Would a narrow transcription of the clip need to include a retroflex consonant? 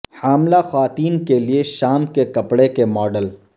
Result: yes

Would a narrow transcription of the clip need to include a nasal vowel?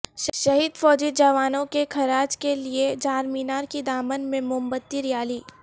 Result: yes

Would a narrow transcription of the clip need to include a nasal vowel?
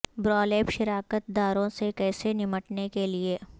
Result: yes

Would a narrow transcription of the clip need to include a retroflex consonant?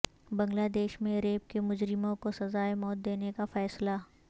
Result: no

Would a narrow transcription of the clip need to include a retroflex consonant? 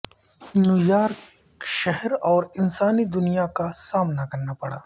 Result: yes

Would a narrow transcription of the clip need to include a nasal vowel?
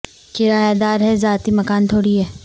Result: no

